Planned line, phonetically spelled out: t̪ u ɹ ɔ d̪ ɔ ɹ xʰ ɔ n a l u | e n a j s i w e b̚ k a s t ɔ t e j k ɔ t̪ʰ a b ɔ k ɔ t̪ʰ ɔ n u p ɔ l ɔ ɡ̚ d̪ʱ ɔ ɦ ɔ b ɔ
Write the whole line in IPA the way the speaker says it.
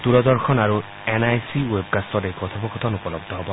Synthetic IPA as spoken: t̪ u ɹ ɔ d̪ ɔ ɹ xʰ ɔ n a ɹ u | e n a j s i w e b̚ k a s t ɔ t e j k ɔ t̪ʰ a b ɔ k ɔ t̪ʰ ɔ n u p ɔ l ɔ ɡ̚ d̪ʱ ɔ ɦ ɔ b ɔ